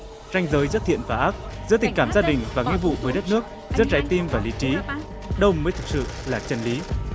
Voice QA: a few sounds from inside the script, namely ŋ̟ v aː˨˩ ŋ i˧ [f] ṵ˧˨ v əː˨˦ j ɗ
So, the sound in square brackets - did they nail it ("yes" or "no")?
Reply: no